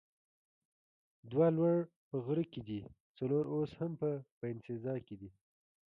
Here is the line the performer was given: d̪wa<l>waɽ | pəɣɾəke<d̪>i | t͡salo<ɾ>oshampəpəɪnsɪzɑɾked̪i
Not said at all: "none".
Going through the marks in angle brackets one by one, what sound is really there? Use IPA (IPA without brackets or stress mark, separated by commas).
l, d̪, ɾ